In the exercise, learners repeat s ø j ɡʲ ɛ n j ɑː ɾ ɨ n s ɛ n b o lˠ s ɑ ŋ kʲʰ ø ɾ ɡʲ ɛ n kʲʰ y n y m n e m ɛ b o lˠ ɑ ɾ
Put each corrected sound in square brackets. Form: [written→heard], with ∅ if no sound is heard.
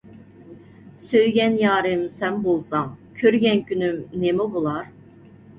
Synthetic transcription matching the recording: s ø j ɡʲ ɛ n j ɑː ɾ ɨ [n→m] s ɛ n b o lˠ s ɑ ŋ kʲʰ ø ɾ ɡʲ ɛ n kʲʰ y n y m n e m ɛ b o lˠ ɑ ɾ

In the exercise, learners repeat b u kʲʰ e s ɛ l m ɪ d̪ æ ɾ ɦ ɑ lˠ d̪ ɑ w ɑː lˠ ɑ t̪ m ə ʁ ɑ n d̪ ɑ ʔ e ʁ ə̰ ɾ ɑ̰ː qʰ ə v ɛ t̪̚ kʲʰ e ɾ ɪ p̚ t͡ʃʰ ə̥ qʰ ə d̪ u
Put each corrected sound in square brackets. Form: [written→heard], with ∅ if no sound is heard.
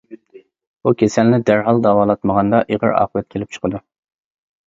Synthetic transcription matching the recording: b u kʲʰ e s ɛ l [m→n] ɪ d̪ æ ɾ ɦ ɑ lˠ d̪ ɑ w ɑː lˠ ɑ t̪ m ə ʁ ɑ n d̪ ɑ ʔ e ʁ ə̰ ɾ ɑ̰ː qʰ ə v ɛ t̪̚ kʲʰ e [ɾ→l] ɪ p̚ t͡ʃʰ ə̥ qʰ ə d̪ u

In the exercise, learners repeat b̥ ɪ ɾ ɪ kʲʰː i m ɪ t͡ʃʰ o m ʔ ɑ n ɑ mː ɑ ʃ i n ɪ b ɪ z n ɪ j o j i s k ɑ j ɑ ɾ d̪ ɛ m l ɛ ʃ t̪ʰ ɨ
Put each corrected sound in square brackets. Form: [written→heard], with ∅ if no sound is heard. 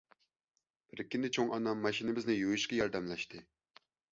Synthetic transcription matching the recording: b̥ ɪ ɾ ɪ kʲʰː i [m→n] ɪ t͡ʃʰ o [m→ŋ] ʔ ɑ n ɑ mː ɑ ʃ i n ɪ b ɪ z n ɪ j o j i [s→ʃ] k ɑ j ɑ ɾ d̪ ɛ m l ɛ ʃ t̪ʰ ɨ

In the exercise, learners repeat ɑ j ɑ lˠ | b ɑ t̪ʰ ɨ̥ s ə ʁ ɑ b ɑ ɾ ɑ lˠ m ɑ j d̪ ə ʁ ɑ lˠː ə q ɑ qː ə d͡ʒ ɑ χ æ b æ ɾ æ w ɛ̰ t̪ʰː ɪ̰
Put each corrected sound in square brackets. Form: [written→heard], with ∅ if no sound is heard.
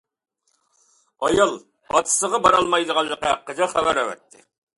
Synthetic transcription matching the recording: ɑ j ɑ lˠ | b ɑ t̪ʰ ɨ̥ s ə ʁ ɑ b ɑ ɾ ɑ lˠ m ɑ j d̪ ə ʁ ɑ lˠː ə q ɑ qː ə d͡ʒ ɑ χ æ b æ ɾ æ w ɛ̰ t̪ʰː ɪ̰

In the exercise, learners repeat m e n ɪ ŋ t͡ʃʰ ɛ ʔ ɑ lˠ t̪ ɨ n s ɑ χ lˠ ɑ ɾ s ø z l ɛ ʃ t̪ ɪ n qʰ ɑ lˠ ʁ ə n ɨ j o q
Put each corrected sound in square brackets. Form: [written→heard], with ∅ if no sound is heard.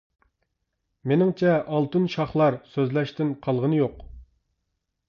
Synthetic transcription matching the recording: m e n ɪ ŋ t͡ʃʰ ɛ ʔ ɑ lˠ t̪ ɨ n [s→ʃ] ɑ χ lˠ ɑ ɾ s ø z l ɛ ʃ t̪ ɪ n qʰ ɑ lˠ ʁ ə n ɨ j o q

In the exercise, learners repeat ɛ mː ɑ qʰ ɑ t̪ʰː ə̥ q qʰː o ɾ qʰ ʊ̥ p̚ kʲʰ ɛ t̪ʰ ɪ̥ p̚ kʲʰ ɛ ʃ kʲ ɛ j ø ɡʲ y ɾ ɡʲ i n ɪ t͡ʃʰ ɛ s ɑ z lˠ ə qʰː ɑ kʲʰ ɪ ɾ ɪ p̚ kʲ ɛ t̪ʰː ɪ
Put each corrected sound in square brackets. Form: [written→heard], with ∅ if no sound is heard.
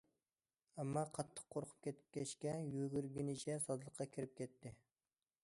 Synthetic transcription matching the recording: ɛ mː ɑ qʰ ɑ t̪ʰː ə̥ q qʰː o ɾ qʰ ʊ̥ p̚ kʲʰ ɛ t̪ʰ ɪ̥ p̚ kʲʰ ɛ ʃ kʲ ɛ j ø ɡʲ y ɾ ɡʲ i n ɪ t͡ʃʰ ɛ s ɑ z lˠ ə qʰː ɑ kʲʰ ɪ ɾ ɪ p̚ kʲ ɛ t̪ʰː ɪ

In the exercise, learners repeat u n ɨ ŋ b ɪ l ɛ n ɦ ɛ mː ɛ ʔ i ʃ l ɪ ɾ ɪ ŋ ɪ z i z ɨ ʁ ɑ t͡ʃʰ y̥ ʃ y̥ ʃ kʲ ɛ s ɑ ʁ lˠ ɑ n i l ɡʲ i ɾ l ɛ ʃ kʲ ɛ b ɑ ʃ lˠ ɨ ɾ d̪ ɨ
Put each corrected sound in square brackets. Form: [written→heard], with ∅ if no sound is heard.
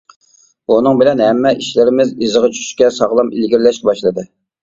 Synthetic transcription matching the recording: u n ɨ ŋ b ɪ l ɛ n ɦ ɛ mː ɛ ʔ i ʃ l ɪ ɾ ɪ [ŋ→m] ɪ z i z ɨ ʁ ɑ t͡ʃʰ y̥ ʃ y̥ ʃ kʲ ɛ s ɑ ʁ lˠ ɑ [n→m] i l ɡʲ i ɾ l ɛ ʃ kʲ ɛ b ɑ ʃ lˠ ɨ [ɾ→∅] d̪ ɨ

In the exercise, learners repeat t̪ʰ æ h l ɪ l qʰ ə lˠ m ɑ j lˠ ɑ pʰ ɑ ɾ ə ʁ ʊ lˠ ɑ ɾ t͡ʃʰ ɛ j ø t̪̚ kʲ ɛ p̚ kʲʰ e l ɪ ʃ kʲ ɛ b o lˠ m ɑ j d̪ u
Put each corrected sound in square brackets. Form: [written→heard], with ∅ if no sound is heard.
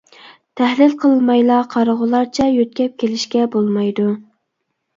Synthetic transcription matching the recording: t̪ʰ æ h l ɪ l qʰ ə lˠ m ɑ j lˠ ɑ [pʰ→qʰ] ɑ ɾ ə ʁ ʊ lˠ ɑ ɾ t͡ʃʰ ɛ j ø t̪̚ kʲ ɛ p̚ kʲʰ e l ɪ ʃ kʲ ɛ b o lˠ m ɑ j d̪ u

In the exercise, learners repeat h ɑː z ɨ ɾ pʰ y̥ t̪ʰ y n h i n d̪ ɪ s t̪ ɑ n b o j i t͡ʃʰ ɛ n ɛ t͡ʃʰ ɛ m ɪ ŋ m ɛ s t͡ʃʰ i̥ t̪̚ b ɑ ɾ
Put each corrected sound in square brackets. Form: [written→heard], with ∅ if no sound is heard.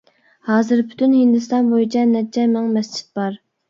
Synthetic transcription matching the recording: h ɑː z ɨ ɾ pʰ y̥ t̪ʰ y n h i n d̪ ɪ s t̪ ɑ n b o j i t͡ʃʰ ɛ n ɛ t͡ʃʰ ɛ m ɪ ŋ m ɛ s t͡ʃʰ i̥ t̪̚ b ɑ ɾ

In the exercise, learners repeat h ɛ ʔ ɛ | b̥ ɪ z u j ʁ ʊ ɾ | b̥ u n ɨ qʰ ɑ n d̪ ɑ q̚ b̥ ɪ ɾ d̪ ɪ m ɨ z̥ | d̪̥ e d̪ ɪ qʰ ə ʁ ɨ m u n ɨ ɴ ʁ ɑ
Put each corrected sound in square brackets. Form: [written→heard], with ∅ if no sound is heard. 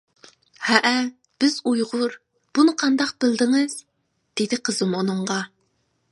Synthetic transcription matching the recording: h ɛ ʔ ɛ | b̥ ɪ z u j ʁ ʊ ɾ | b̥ u n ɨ qʰ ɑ n d̪ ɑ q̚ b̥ ɪ [ɾ→l] d̪ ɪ [m→ŋ] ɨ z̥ | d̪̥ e d̪ ɪ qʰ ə [ʁ→z] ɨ m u n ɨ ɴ ʁ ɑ

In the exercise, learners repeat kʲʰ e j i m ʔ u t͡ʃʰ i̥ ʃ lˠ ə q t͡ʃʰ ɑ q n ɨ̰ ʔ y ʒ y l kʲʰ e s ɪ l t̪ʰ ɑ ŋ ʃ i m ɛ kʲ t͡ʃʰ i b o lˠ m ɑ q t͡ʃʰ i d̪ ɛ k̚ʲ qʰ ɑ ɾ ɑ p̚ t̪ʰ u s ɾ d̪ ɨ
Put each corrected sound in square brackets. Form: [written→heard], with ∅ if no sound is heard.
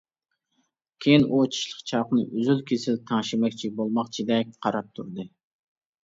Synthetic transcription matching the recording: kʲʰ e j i [m→n] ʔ u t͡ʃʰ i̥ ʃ lˠ ə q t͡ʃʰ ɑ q n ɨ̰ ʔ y [ʒ→z] y l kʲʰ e s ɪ l t̪ʰ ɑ ŋ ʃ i m ɛ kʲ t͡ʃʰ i b o lˠ m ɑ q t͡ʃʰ i d̪ ɛ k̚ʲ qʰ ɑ ɾ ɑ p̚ t̪ʰ u [s→∅] ɾ d̪ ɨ

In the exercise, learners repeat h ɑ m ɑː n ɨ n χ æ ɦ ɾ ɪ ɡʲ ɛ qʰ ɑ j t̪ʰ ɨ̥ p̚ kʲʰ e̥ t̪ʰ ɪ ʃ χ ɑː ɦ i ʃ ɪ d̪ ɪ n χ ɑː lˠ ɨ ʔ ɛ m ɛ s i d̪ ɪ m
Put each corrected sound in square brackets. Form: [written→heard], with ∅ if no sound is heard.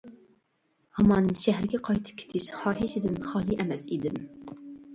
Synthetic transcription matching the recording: h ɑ m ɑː n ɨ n [χ→ʃ] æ ɦ ɾ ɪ ɡʲ ɛ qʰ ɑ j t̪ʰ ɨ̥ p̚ kʲʰ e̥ t̪ʰ ɪ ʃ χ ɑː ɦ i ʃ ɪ d̪ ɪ n χ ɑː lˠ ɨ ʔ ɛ m ɛ s i d̪ ɪ m

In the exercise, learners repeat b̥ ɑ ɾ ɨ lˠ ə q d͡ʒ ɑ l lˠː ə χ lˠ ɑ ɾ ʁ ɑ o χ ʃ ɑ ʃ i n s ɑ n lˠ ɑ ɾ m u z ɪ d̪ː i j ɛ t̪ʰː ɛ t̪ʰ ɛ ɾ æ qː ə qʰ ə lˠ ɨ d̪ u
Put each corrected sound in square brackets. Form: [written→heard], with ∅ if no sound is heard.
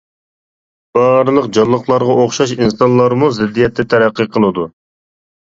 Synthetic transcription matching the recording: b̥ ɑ ɾ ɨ lˠ ə q d͡ʒ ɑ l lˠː ə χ lˠ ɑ ɾ ʁ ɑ o χ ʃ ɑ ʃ i n s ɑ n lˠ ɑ ɾ m u z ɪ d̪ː i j ɛ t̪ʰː ɛ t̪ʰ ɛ ɾ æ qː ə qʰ ə lˠ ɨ d̪ u

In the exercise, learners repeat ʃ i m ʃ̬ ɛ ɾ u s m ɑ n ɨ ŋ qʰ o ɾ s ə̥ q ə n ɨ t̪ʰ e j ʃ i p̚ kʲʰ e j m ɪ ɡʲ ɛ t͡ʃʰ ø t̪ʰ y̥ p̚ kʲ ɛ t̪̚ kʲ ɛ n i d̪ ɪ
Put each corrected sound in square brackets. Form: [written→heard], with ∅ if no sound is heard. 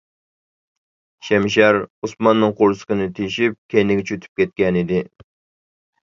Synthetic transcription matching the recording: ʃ [i→ɛ] m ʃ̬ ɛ ɾ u s m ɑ [n→nː] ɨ ŋ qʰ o ɾ s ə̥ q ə n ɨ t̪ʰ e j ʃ i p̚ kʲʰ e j [m→n] ɪ ɡʲ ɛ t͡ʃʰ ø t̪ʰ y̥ p̚ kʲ ɛ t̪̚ kʲ ɛ n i d̪ ɪ

